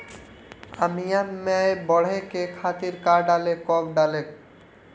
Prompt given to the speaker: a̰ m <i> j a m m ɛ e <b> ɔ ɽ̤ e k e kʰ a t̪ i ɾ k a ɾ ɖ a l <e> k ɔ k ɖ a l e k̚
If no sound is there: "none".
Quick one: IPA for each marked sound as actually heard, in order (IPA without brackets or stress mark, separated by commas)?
i, b, e